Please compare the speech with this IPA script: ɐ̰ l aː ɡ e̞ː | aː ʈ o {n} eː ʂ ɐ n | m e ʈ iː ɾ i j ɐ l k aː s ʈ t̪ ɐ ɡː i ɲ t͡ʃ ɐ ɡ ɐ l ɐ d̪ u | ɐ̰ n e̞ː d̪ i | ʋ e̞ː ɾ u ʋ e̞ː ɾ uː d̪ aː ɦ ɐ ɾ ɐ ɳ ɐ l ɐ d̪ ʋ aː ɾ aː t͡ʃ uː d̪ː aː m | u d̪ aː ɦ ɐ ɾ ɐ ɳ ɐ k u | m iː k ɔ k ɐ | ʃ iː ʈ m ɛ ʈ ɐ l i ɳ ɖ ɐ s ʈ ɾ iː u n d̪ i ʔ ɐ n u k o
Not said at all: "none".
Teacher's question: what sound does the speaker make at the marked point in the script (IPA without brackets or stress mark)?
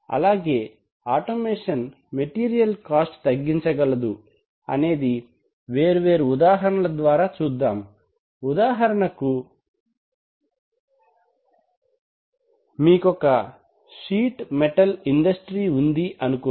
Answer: m